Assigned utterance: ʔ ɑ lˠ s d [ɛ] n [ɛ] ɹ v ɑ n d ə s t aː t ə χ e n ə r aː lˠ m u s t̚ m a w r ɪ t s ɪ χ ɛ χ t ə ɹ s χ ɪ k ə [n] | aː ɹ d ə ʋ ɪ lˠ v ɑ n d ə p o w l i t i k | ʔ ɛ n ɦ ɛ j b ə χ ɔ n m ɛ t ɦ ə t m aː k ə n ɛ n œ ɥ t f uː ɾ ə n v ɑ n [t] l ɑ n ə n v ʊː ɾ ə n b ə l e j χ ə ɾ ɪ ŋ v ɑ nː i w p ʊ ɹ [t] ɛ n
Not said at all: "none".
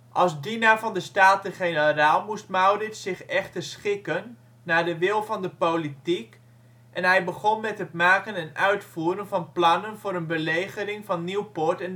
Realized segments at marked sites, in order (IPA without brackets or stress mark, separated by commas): i, a, nː, p, t